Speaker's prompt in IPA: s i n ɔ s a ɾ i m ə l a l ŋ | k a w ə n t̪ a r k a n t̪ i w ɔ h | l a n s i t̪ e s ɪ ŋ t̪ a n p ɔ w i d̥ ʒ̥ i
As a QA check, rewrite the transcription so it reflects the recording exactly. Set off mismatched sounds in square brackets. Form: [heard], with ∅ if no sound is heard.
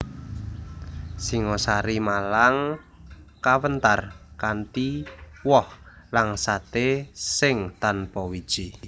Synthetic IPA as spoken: s i [ŋ] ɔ s a ɾ i m [a] l a [∅] ŋ | k a w ə n t̪ a r k a n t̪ i w ɔ h | l a [ŋ] s [a] t̪ e s ɪ ŋ t̪ a n p ɔ w i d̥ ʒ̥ i